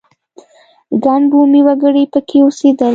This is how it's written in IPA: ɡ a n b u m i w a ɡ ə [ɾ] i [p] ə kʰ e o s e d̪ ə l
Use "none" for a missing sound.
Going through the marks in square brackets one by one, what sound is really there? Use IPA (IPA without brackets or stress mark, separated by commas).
ɽ, p